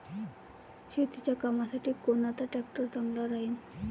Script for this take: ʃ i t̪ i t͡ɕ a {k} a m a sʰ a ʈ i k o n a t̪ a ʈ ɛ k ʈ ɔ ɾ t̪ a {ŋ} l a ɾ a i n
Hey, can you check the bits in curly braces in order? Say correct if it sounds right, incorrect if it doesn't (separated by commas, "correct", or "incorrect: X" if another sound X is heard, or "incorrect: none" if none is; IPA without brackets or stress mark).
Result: correct, correct